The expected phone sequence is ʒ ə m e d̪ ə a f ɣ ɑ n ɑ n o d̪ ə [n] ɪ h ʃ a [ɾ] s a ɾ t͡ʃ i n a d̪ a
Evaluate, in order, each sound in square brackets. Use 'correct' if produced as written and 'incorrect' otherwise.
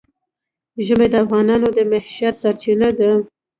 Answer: incorrect, correct

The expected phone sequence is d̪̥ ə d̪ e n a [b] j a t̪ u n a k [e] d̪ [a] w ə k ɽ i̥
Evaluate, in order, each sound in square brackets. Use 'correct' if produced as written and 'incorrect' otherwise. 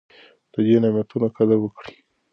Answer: incorrect, incorrect, correct

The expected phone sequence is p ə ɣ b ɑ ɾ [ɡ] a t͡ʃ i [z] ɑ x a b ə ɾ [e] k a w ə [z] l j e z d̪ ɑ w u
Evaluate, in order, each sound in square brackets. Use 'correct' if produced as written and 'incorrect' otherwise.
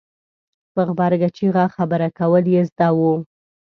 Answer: correct, incorrect, incorrect, incorrect

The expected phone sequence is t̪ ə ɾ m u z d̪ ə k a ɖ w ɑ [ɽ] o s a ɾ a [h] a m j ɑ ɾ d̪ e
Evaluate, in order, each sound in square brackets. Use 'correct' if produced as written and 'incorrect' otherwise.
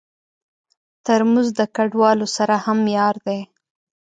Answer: incorrect, correct

